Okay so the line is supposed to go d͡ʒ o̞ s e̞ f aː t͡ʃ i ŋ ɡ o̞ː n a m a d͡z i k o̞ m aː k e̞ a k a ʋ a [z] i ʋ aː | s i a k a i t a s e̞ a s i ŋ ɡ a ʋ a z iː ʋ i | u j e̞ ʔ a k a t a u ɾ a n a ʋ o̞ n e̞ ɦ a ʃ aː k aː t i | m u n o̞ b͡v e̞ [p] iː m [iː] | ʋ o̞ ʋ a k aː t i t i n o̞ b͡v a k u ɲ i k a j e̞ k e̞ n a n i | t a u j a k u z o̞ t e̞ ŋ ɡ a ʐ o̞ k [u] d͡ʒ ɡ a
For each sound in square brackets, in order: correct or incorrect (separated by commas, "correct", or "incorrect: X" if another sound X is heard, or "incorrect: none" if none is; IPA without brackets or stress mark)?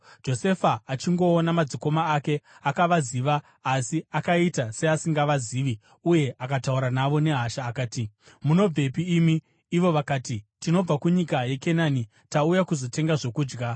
correct, correct, correct, incorrect: uː